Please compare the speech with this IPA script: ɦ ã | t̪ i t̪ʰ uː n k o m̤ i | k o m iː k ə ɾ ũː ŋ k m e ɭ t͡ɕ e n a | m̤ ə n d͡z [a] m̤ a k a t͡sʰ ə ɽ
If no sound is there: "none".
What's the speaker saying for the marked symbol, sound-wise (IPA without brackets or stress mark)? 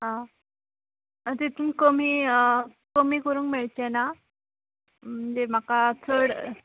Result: e